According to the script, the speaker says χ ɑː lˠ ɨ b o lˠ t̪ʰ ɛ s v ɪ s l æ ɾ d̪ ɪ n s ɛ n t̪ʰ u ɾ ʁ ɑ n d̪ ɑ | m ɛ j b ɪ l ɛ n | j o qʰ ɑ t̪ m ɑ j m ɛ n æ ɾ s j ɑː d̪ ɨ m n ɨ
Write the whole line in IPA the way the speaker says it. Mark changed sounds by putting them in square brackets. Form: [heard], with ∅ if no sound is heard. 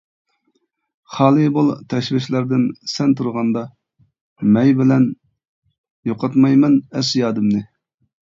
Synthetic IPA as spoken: χ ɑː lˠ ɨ b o lˠ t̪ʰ ɛ [ʃ] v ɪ [ʃ] l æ ɾ d̪ ɪ n s ɛ n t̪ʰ u ɾ ʁ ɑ n d̪ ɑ | m ɛ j b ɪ l ɛ n | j o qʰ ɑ t̪ m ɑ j m ɛ n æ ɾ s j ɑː d̪ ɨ m n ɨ